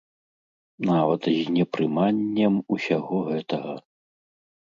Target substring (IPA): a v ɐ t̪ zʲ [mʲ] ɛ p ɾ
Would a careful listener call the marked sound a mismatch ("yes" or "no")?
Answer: yes